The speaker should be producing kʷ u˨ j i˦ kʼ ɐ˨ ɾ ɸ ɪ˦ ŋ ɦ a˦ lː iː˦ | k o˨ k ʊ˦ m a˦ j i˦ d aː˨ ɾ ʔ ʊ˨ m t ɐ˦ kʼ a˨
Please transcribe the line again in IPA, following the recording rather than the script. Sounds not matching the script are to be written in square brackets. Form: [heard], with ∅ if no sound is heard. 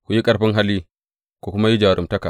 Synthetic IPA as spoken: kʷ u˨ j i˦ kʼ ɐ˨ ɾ ɸ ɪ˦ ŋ ɦ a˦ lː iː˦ | k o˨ k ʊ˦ m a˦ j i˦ [d͡ʒ] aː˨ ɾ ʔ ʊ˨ m t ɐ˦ [k] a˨